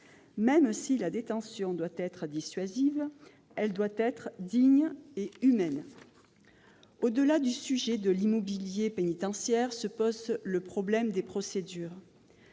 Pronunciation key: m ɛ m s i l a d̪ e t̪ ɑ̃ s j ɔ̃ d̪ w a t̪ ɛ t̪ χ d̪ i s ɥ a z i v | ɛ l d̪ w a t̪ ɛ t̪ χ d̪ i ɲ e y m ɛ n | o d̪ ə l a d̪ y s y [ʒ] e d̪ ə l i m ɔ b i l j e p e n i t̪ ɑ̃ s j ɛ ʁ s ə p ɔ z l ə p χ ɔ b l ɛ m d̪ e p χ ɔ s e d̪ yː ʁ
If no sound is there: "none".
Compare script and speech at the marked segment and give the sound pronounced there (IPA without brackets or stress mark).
ʒ